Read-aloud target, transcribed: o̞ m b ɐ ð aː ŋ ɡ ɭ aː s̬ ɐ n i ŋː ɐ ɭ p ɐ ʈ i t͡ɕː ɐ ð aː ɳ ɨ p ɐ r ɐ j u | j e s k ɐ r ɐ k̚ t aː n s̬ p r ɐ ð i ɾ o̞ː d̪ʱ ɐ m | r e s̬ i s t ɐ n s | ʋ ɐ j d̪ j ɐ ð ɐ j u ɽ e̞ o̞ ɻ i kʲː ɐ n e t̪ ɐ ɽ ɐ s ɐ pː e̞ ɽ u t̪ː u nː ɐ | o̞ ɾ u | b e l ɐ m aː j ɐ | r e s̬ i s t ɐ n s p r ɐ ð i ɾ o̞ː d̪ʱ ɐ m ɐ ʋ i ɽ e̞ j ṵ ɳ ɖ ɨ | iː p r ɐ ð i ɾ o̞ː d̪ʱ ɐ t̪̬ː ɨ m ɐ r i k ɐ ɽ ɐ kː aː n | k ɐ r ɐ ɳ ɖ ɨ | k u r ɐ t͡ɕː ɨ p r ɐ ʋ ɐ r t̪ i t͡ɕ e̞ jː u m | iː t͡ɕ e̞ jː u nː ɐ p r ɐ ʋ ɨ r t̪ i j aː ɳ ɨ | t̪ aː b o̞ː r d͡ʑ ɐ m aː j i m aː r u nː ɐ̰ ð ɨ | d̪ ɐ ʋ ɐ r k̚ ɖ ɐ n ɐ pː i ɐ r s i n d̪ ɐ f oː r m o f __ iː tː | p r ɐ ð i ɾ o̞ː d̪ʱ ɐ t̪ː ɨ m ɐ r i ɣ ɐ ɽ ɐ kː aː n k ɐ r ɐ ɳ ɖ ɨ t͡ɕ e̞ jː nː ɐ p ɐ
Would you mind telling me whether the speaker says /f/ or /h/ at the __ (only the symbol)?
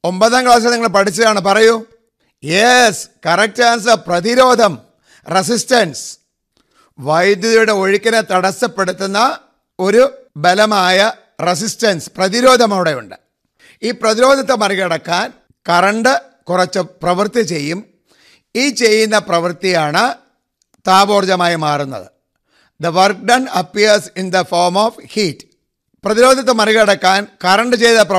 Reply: h